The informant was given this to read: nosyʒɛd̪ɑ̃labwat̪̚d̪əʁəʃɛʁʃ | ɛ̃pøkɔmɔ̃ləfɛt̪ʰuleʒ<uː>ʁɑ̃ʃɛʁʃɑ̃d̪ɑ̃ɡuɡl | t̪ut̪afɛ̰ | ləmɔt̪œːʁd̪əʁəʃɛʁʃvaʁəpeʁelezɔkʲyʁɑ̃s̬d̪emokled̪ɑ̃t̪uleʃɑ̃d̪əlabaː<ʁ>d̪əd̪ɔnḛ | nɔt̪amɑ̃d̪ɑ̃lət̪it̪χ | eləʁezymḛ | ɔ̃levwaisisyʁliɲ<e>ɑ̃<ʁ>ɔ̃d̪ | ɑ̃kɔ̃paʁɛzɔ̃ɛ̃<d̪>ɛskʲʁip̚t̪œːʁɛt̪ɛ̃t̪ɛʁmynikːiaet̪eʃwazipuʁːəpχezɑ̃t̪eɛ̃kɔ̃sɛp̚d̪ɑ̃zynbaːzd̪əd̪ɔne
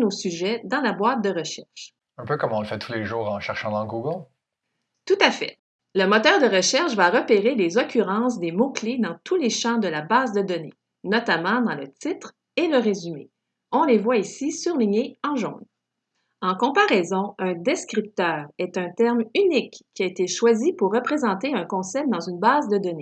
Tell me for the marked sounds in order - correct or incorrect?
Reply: correct, incorrect, correct, incorrect, correct

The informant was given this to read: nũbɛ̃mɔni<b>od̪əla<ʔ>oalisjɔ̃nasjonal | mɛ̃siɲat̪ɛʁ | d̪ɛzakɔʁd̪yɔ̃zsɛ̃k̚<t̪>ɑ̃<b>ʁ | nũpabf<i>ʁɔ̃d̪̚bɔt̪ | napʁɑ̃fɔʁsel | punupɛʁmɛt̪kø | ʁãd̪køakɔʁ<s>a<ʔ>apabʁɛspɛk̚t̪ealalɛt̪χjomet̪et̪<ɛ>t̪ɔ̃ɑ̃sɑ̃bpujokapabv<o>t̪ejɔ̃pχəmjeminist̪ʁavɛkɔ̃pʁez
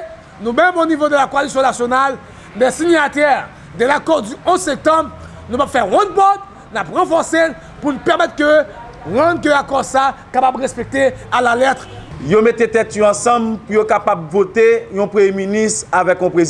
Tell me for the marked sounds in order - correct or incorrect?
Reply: incorrect, incorrect, correct, correct, incorrect, correct, incorrect, correct, correct

